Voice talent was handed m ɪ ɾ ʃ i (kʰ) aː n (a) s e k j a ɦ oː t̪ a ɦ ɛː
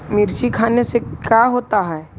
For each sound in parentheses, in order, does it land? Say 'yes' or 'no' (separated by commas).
yes, no